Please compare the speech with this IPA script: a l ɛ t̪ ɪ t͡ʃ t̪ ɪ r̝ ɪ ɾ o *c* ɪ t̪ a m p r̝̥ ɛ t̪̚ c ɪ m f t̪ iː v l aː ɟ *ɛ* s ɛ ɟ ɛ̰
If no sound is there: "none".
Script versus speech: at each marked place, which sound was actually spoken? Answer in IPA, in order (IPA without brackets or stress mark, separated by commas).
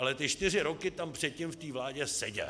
k, ɛ